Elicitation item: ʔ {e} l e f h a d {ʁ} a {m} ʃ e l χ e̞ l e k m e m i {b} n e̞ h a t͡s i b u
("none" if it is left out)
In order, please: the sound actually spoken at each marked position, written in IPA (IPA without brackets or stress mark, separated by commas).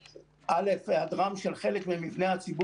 a, ʁ, m, v